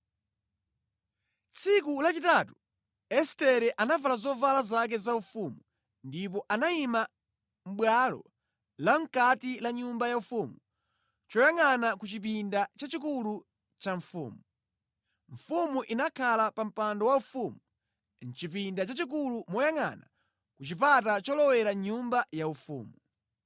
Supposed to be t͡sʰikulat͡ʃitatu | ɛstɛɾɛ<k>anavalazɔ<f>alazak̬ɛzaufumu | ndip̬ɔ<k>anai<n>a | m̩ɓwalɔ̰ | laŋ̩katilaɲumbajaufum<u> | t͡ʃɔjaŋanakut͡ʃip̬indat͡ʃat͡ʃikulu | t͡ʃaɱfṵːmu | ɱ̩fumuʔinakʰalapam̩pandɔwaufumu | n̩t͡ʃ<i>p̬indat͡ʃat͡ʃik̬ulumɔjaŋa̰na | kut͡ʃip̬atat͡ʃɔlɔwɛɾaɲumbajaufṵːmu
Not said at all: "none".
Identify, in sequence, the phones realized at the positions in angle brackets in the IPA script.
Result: ʔ, v, ʔ, m, u, i

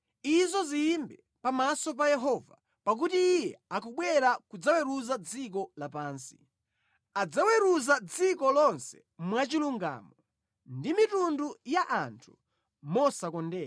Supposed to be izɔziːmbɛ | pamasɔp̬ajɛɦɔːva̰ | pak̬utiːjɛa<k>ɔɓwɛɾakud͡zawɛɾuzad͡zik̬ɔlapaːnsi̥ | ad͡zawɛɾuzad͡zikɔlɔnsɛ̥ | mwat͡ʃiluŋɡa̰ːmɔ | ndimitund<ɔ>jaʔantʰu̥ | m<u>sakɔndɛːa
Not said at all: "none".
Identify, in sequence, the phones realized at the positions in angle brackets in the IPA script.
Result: k, u, ɔ

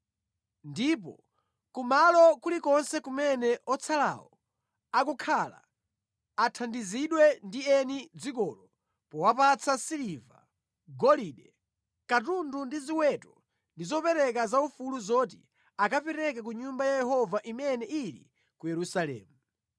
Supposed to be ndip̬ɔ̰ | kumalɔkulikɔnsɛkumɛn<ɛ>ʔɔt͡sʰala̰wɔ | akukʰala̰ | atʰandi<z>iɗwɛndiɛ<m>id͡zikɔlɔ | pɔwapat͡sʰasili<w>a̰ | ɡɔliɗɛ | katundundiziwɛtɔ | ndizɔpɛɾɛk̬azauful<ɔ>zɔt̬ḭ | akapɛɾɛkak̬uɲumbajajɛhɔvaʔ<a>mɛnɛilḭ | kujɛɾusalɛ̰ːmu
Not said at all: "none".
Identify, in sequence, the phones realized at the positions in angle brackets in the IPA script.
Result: ɛ, z, n, v, u, i

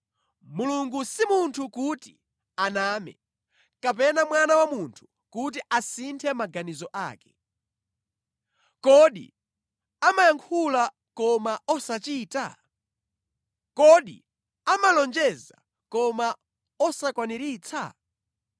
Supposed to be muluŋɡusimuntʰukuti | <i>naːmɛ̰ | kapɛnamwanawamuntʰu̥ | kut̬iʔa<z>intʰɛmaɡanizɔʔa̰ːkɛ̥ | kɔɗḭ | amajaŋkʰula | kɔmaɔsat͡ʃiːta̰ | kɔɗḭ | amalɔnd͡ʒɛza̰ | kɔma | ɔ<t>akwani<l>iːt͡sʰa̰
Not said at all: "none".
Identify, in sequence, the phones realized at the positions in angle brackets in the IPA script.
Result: a, s, s, ɾ

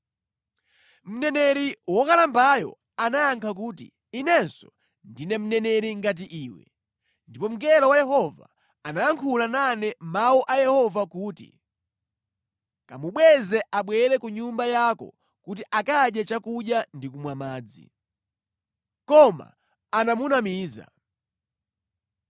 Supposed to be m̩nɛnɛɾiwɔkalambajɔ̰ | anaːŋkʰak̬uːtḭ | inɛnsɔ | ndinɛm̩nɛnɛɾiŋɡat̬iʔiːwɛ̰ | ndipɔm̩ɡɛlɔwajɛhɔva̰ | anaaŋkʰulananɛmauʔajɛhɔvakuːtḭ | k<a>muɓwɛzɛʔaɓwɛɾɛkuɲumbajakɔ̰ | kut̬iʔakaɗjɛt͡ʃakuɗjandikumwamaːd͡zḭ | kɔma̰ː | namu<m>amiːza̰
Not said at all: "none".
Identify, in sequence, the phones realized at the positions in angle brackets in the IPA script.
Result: a, n

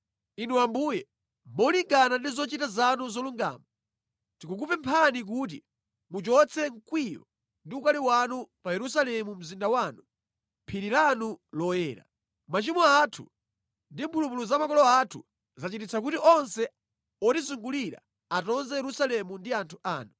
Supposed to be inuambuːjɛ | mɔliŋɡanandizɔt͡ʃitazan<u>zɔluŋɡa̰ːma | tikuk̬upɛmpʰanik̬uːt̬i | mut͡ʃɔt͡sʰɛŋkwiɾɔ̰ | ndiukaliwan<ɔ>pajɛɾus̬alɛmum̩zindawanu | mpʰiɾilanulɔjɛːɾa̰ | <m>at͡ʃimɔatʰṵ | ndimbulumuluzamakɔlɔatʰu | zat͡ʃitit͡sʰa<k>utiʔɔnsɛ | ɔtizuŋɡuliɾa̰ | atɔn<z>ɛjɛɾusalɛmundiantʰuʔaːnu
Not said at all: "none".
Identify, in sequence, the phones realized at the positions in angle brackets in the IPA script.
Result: u, u, m, k, z

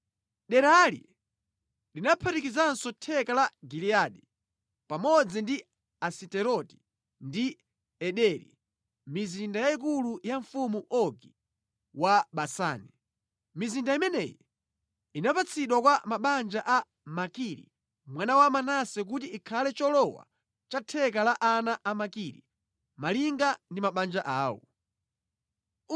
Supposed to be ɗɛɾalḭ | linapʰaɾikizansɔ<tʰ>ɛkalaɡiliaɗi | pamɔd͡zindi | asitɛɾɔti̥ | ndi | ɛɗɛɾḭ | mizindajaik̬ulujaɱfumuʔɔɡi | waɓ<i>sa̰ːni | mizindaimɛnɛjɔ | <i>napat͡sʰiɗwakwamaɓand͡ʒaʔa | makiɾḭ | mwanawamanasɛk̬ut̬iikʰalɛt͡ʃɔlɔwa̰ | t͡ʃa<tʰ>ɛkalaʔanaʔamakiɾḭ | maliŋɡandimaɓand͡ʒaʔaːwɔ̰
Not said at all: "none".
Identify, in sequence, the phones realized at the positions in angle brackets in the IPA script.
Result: tʰ, a, i, tʰ

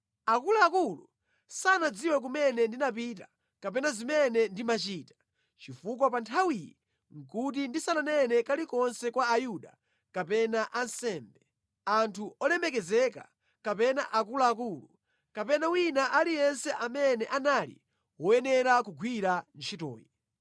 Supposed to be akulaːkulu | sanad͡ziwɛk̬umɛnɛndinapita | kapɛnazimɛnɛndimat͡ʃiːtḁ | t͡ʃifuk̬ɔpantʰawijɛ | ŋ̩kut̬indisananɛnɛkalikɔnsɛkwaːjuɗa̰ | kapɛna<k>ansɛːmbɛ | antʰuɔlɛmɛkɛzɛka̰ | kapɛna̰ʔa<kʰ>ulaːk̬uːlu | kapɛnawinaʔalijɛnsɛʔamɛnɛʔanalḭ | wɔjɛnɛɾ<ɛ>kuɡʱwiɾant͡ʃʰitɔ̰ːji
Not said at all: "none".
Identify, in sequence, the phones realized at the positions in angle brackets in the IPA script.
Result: ʔ, k, a

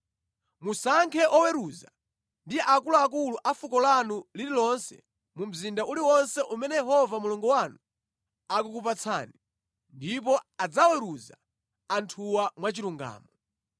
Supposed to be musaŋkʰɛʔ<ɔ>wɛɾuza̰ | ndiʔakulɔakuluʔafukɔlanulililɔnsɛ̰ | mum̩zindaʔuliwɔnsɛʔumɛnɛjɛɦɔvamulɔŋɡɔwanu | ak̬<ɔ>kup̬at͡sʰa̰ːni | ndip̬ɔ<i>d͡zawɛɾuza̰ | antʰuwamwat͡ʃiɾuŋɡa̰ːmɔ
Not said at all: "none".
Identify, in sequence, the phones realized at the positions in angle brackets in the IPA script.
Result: ɔ, u, a

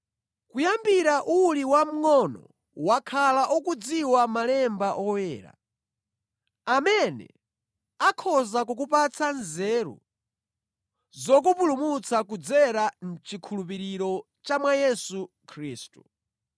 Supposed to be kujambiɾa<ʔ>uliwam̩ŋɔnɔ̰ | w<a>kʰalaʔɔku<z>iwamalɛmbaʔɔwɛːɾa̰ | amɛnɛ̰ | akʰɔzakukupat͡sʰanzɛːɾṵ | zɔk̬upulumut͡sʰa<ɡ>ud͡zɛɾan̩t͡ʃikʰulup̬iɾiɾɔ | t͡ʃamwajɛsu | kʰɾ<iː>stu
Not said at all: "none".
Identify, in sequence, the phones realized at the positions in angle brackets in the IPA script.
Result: ʔ, a, d͡z, k, iː

